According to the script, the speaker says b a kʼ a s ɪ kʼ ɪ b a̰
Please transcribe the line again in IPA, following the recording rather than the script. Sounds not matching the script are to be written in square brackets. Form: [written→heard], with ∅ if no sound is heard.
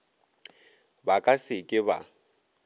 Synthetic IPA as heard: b a kʼ a s ɪ kʼ ɪ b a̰